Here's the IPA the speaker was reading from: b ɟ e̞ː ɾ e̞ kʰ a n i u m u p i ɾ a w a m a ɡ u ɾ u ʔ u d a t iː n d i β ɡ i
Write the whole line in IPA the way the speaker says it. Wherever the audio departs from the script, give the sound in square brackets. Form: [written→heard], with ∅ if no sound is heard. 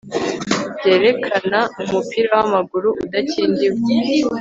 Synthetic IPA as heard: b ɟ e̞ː ɾ e̞ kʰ a n [i→a] u m u p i ɾ a w a m a ɡ u ɾ u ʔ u d a [t→c] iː n d i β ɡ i